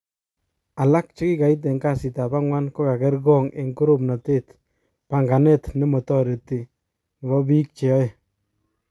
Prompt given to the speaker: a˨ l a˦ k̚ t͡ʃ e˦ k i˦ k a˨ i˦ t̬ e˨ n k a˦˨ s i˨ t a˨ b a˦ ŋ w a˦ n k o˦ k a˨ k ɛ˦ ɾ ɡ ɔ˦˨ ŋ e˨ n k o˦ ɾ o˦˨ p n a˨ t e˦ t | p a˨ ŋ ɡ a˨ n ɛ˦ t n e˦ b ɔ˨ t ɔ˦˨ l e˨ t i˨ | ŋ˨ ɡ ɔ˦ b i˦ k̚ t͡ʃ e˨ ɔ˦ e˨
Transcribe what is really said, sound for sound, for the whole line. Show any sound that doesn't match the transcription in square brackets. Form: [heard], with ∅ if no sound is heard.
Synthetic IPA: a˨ l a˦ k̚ t͡ʃ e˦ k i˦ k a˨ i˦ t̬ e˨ [ŋ] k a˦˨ s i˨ t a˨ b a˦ ŋ w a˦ n k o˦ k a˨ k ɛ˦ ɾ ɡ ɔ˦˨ ŋ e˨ [ŋ] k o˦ ɾ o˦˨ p n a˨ t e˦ t | p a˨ ŋ ɡ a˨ n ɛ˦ t n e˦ [m] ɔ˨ t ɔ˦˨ [ɾ] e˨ t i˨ | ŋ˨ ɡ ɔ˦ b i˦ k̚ t͡ʃ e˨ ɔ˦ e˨